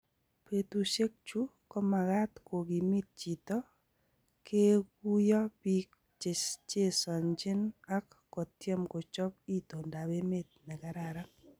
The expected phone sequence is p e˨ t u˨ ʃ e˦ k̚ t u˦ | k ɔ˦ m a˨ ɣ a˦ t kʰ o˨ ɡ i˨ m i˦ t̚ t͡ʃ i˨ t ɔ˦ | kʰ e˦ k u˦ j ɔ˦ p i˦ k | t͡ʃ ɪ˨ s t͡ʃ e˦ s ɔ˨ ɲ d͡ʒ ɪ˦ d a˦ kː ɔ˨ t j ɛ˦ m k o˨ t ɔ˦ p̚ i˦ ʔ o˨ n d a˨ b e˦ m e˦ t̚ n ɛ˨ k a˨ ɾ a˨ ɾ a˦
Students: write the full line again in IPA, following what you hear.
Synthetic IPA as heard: p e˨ t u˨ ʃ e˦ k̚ t͡ʃ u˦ | k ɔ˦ m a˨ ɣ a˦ t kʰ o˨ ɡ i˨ m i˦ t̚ t͡ʃ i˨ t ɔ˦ | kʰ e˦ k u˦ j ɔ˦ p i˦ k | t͡ʃ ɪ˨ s t͡ʃ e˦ s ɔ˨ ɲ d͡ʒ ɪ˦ n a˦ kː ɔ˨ t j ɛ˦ m k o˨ t͡ʃ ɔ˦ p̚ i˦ t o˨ n d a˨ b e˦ m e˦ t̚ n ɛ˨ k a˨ ɾ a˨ ɾ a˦